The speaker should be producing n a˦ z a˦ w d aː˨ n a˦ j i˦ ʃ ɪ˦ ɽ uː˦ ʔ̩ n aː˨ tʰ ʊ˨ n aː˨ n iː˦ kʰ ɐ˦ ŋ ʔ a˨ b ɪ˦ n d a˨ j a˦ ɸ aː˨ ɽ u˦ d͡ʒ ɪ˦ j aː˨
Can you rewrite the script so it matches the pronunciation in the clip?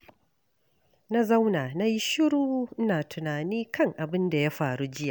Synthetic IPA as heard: n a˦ z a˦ w n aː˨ n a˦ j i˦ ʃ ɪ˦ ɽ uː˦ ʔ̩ n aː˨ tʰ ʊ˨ n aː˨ n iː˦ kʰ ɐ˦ ŋ ʔ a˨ b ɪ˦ n d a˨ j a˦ ɸ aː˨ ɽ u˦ d͡ʒ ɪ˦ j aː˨